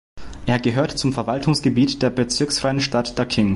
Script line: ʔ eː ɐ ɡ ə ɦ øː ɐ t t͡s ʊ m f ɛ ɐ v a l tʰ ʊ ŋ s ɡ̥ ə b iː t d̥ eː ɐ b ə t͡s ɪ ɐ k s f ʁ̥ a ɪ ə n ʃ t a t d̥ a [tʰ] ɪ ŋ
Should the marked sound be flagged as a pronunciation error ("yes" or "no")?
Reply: yes